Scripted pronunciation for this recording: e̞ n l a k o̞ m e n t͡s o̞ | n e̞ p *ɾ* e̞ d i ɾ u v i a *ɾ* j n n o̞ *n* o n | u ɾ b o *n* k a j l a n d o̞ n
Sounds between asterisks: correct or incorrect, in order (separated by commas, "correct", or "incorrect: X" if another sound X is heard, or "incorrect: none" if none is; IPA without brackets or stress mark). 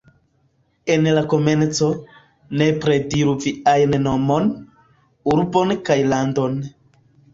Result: correct, incorrect: none, incorrect: m, correct